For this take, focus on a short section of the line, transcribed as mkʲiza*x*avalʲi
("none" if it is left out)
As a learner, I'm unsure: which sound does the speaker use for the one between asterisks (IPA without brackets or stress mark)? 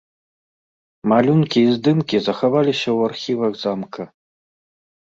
x